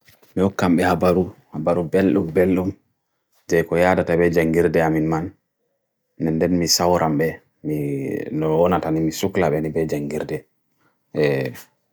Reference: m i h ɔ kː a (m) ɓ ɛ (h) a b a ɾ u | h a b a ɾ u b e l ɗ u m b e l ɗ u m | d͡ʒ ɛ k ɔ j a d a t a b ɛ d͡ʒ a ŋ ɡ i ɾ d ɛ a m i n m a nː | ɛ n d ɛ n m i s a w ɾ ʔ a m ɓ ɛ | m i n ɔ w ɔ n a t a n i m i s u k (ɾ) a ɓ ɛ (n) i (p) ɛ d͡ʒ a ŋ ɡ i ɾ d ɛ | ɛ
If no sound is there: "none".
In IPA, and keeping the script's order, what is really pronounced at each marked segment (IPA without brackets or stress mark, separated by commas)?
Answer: m, h, l, n, b